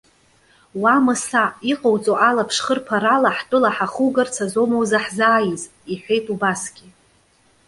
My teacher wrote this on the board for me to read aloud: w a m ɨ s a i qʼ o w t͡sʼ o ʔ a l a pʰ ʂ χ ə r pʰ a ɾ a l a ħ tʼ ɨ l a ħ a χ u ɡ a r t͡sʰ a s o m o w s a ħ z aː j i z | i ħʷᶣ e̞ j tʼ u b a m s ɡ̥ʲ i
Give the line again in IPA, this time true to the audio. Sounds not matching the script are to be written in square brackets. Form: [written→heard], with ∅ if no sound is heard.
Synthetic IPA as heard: w a m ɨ s a i qʼ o w t͡sʼ o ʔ a l a pʰ ʂ χ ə r pʰ a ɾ a l a ħ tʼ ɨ l a ħ a χ u ɡ a r t͡sʰ a [s→z] o m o w [s→z] a ħ z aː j i z | i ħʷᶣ e̞ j tʼ u b a [m→∅] s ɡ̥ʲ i